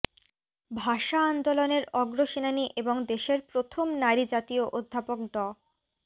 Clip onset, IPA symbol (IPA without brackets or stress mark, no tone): bʱ